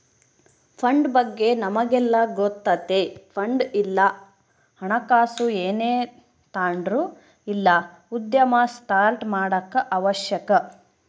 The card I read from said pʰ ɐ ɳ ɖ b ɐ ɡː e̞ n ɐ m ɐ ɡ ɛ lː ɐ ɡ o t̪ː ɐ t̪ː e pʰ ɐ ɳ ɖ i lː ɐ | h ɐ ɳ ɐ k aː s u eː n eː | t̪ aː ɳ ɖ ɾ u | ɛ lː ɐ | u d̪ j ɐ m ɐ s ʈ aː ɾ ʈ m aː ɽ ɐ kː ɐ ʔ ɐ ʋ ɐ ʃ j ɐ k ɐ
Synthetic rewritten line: pʰ ɐ ɳ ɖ b ɐ ɡː e̞ n ɐ m ɐ ɡ ɛ lː ɐ ɡ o t̪ː ɐ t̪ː e pʰ ɐ ɳ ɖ i lː ɐ | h ɐ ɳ ɐ k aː s u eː n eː | t̪ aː ɳ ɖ ɾ u | i lː ɐ | u d̪ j ɐ m ɐ s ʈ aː ɾ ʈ m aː ɽ ɐ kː ɐ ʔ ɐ ʋ ɐ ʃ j ɐ k ɐ